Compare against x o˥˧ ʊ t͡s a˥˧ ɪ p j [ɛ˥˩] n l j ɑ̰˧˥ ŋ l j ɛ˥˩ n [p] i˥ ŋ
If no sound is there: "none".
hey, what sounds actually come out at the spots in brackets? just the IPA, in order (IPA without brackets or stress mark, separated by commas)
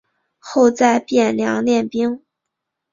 ɛ˥˩, p